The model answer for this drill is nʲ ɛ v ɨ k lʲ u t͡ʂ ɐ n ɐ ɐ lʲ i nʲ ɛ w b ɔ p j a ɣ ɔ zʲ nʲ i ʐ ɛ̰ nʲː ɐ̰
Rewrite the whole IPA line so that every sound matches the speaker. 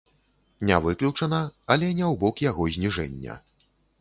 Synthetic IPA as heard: nʲ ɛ v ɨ k lʲ u t͡ʂ ɐ n ɐ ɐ lʲ ɛ nʲ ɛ w b ɔ k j a ɣ ɔ zʲ nʲ i ʐ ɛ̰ nʲː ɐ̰